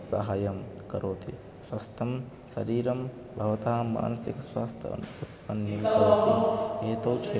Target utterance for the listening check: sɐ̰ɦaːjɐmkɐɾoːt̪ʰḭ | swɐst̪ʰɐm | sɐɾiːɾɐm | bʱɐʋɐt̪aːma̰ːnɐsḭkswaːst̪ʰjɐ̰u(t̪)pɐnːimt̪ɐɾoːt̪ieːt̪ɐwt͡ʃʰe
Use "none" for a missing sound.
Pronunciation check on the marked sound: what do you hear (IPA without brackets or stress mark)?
t̪